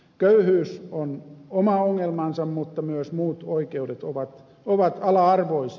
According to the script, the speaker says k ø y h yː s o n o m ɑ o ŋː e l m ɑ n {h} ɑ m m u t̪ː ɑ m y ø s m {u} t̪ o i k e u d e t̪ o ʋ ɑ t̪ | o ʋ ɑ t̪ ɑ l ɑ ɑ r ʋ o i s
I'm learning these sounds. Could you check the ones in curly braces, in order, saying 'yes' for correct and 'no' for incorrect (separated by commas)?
no, no